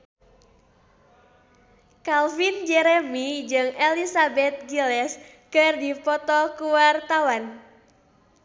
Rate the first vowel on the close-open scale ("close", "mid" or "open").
open